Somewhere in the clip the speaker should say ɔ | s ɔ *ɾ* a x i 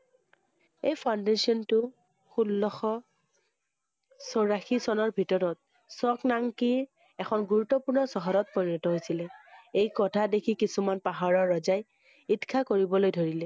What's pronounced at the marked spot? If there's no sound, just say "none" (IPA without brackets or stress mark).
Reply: ɹ